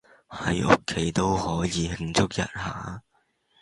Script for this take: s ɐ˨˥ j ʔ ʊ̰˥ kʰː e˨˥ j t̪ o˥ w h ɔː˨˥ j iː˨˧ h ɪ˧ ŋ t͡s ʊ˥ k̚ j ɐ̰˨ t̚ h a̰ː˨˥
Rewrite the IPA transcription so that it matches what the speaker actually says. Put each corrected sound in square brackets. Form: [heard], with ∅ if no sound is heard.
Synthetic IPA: [h] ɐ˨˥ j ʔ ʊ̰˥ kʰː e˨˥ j t̪ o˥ w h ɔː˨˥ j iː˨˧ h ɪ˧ ŋ t͡s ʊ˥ k̚ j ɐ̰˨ t̚ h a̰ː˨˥